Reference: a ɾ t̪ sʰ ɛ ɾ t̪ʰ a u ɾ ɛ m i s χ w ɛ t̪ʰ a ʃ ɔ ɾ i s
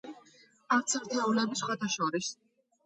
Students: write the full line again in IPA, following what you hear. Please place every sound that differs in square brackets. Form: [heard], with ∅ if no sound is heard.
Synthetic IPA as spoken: a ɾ t̪ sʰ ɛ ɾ t̪ʰ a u [l] ɛ [b] i s χ w [a] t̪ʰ a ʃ ɔ ɾ i s